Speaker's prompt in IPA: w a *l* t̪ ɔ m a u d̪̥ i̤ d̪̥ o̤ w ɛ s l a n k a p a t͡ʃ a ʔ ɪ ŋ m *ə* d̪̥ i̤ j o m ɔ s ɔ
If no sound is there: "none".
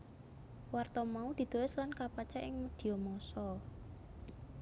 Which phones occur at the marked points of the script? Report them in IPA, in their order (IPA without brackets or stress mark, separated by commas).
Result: r, ə